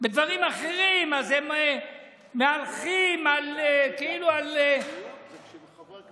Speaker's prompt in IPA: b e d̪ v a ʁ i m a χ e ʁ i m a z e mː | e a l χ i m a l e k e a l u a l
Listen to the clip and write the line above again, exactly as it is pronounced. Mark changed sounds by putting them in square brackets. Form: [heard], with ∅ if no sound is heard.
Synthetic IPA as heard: b e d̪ v a ʁ i m a χ e ʁ i m a z e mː | e a l χ i m a l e k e [i] l u a l